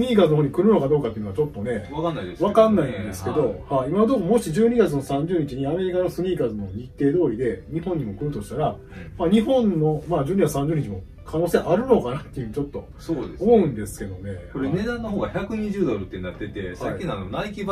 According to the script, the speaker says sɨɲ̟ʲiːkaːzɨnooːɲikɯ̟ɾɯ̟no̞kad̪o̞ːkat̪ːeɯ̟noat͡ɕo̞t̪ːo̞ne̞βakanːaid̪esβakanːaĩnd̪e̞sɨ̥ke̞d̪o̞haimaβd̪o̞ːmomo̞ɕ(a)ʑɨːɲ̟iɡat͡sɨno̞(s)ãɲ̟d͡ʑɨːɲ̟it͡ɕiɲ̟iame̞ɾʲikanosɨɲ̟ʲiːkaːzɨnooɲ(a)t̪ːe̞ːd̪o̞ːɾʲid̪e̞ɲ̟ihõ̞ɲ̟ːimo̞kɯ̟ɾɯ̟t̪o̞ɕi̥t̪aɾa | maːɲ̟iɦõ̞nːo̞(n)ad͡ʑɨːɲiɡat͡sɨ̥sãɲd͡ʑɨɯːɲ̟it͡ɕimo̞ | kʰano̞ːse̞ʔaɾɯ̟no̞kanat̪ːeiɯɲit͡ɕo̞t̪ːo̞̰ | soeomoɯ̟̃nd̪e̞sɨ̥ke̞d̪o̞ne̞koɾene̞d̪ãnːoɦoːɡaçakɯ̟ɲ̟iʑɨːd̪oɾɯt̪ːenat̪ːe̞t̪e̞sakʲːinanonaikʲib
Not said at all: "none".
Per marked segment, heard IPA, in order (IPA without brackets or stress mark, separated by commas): i, s, i, m